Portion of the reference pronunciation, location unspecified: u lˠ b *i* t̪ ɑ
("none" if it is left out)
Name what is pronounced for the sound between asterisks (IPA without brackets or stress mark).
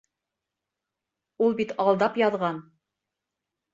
i